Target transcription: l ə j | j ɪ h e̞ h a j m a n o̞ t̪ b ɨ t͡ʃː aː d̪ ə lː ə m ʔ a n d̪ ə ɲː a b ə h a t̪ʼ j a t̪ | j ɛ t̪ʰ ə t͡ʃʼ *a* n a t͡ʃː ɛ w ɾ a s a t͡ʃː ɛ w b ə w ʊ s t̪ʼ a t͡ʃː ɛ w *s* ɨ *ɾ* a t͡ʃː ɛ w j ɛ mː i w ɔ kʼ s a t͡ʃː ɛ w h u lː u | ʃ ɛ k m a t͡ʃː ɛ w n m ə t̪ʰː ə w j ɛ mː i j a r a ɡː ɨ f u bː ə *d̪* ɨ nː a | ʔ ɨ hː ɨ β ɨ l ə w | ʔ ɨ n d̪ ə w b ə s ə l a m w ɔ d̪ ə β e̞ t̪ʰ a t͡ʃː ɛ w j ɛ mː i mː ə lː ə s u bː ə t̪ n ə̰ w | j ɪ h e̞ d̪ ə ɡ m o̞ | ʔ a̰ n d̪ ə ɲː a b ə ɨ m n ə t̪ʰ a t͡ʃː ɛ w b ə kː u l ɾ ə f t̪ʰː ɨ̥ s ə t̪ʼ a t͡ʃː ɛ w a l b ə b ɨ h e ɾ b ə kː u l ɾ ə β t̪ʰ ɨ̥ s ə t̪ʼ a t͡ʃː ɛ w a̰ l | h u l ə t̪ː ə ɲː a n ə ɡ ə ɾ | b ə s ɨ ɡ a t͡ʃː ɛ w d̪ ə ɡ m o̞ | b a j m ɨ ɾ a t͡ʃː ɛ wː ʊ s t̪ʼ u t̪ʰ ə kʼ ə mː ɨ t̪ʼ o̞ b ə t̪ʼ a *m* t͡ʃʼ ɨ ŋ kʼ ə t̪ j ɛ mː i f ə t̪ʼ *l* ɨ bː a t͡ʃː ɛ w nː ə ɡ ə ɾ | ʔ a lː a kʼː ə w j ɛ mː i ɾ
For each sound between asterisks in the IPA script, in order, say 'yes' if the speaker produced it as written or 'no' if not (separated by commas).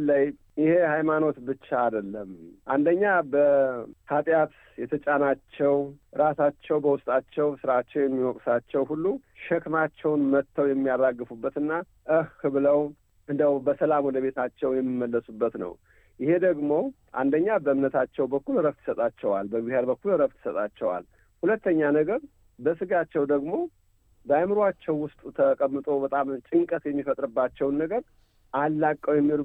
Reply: yes, yes, yes, no, yes, no